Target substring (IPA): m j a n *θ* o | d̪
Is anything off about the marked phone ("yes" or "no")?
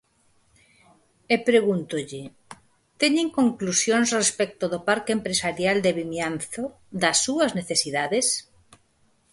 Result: no